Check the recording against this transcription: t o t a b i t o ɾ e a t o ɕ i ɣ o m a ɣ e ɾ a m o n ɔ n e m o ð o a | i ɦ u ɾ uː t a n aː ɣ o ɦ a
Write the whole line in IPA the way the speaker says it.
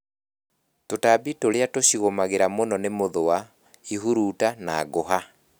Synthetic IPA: t o t a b i t o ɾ e a t o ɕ i ɣ o m a ɣ e ɾ a m o n ɔ n e m o ð o a | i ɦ u ɾ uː t a n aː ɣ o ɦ a

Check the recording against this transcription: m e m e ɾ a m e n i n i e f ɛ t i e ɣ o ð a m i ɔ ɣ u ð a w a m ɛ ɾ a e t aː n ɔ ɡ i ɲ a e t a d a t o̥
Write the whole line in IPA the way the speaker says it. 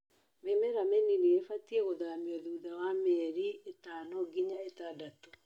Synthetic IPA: m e m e ɾ a m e n i n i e f a t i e ɣ o ð a m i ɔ ð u ð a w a m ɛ ɾ i e t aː n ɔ ɡ i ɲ a e t a d a t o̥

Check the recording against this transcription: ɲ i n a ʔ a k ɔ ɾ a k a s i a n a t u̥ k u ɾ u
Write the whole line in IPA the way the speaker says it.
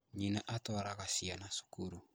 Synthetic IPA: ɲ i n a ʔ a t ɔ ɾ a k a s i a n a s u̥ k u ɾ u

